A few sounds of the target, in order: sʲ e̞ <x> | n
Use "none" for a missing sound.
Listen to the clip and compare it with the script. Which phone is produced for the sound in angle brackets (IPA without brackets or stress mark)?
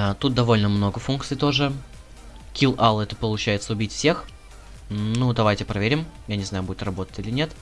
x